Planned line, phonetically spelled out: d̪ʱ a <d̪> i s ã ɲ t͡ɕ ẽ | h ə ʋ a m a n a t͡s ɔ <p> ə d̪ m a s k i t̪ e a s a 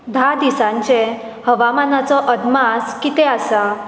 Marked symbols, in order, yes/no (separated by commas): yes, no